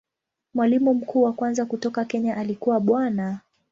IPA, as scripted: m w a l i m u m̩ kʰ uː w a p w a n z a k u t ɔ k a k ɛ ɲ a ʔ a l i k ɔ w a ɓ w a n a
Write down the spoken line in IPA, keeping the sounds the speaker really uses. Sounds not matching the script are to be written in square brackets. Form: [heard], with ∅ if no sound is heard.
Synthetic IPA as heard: m w a l i m u m̩ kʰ uː w a [k] w a n z a k u t ɔ k a k ɛ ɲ a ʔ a l i k [u] w a ɓ w a n a